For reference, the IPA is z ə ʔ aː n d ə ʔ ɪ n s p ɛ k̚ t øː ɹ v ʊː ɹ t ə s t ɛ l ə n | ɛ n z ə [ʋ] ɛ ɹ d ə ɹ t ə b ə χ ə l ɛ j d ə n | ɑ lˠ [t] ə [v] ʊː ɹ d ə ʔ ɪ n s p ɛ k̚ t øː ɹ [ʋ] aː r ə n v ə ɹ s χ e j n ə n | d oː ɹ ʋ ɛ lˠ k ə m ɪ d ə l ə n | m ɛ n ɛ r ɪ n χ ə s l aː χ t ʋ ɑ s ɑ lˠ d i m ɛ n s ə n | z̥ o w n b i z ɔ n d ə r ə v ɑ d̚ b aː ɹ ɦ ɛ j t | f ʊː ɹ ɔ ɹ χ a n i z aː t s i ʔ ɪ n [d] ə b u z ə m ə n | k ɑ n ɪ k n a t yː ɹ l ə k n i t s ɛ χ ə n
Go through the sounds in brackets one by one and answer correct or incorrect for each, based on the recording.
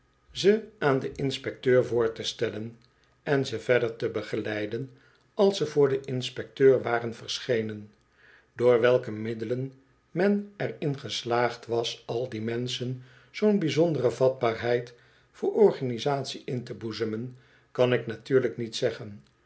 incorrect: v, incorrect: s, correct, correct, incorrect: t

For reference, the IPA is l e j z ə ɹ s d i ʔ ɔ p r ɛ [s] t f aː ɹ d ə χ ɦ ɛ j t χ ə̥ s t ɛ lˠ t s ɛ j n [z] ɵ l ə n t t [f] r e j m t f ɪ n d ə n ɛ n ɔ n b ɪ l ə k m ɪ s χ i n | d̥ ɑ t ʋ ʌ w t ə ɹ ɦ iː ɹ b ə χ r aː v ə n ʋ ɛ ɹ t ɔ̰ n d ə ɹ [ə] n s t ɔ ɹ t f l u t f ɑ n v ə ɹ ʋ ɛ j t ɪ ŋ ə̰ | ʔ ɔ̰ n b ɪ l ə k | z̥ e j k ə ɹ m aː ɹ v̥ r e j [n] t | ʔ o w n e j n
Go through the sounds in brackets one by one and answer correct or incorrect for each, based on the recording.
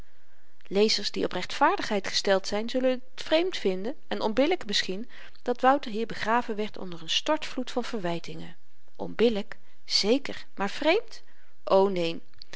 incorrect: χ, correct, correct, correct, incorrect: m

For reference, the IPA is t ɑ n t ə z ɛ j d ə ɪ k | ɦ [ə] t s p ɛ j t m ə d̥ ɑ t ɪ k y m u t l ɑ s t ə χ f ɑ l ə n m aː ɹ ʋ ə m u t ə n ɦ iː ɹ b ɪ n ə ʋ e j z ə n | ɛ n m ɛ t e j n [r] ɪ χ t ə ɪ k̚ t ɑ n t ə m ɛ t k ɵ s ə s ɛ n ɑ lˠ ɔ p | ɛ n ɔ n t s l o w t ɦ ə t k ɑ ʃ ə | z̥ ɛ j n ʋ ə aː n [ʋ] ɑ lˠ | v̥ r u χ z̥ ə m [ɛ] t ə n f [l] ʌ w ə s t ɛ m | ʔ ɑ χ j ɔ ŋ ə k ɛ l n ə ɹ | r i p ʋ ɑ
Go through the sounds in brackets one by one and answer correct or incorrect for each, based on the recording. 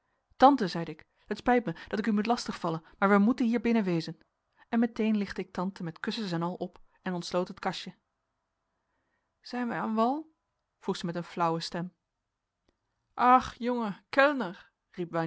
correct, incorrect: l, correct, correct, correct

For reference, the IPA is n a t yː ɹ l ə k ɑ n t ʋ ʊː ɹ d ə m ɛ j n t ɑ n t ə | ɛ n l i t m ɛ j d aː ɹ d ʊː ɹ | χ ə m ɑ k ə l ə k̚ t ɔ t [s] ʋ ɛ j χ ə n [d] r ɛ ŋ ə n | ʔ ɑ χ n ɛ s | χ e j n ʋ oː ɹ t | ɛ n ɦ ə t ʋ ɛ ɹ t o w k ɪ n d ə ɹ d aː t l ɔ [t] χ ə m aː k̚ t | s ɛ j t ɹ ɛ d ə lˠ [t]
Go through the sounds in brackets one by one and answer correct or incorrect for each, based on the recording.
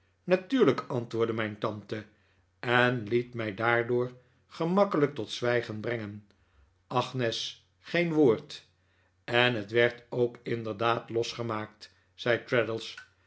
correct, incorrect: b, incorrect: s, incorrect: s

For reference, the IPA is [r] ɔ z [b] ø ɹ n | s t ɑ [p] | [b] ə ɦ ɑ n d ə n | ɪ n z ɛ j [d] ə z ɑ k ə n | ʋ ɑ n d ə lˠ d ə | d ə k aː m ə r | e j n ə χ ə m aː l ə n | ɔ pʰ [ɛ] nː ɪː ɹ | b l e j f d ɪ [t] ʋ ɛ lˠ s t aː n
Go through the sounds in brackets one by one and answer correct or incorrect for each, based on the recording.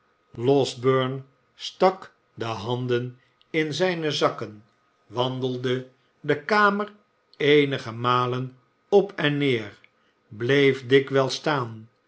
incorrect: l, correct, incorrect: k, incorrect: d, incorrect: n, correct, incorrect: k

